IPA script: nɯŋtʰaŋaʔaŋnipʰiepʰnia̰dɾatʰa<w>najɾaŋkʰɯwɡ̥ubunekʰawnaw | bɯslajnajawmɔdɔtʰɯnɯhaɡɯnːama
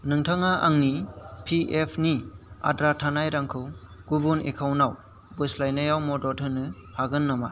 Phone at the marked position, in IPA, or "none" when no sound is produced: none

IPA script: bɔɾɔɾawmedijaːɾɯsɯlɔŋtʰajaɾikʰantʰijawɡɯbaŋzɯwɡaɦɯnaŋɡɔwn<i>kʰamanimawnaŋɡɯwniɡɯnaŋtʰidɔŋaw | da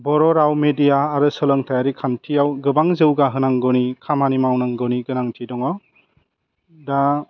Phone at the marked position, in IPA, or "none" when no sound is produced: i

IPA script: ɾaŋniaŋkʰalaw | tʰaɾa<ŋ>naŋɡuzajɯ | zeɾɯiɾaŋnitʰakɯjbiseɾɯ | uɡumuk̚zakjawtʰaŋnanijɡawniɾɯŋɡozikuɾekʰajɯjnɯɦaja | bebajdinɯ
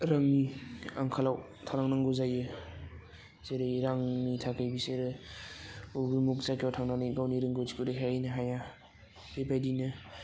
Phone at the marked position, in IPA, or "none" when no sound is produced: ŋ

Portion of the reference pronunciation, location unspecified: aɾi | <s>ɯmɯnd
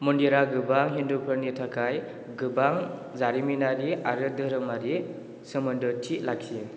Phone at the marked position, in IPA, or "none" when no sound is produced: s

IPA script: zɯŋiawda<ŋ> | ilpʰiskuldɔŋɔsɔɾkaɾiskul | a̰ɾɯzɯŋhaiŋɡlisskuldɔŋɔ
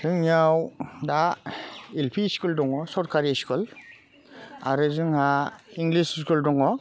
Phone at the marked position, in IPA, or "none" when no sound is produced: none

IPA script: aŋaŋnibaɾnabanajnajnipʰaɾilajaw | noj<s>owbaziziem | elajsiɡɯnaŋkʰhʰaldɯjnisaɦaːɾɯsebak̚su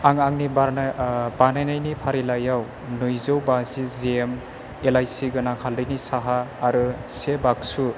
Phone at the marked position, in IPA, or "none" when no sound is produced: z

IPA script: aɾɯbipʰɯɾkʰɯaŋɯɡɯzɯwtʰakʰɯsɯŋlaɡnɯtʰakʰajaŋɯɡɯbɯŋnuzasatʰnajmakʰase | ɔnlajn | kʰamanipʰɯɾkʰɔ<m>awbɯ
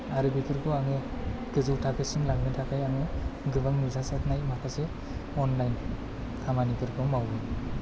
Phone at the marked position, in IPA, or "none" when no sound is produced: m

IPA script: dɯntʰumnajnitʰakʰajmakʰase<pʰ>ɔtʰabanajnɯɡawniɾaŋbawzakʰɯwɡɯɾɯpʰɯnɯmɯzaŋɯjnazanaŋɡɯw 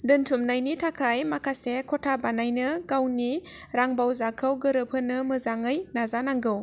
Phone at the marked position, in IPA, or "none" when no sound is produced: kʰ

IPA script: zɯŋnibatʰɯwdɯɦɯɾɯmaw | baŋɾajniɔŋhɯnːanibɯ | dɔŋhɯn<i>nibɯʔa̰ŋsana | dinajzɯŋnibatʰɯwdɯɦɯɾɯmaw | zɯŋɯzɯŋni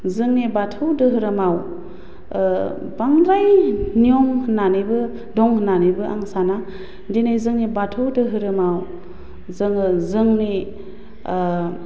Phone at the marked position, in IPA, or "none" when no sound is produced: a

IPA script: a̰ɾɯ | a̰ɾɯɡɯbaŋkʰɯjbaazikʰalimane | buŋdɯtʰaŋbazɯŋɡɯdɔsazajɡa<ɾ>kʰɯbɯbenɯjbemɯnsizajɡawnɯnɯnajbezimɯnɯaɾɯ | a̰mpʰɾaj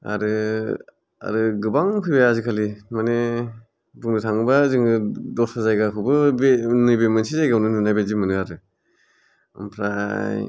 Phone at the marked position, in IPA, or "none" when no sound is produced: none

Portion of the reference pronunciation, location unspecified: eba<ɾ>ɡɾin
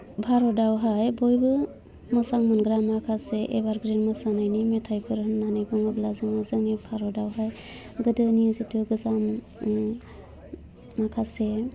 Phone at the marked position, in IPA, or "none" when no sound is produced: ɾ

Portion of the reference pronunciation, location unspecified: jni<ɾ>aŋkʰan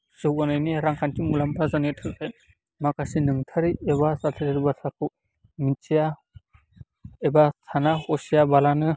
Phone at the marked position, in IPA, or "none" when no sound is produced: ɾ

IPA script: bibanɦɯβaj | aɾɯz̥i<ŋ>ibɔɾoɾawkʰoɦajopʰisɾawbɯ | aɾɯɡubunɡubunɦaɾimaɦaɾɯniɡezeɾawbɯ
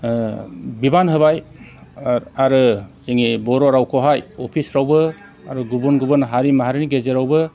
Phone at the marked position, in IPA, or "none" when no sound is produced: ŋ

